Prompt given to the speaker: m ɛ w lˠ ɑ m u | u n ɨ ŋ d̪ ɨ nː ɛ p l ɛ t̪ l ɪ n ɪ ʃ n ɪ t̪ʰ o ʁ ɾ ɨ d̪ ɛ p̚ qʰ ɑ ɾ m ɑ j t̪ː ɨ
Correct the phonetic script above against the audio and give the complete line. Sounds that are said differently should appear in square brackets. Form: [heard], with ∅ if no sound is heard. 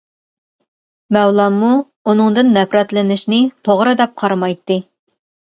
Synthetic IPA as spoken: m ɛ w lˠ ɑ m u | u n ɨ ŋ d̪ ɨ nː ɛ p [ɾ] ɛ t̪ l ɪ n ɪ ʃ n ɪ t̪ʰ o ʁ ɾ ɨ d̪ ɛ p̚ qʰ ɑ ɾ m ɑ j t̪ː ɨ